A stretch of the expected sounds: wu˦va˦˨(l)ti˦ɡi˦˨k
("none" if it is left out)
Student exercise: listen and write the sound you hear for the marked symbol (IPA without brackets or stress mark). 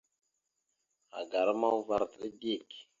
ɾ